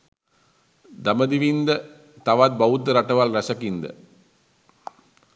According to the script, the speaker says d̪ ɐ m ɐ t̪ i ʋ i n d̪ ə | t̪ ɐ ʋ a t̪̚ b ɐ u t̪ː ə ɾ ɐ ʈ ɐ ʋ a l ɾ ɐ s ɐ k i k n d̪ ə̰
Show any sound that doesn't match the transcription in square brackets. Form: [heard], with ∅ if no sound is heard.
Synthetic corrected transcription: d̪ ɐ m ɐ [d̪] i ʋ i n d̪ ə | t̪ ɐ ʋ a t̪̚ b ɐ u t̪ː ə ɾ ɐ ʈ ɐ ʋ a l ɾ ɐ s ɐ k i [∅] n d̪ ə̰